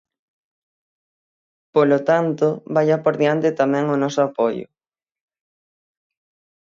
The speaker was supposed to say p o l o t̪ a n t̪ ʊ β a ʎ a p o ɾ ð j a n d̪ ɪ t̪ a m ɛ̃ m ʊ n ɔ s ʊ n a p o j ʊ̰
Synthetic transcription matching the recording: p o l o t̪ a n t̪ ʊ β a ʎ a p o ɾ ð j a n t̪ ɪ t̪ a m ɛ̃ ŋ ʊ n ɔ s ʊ a p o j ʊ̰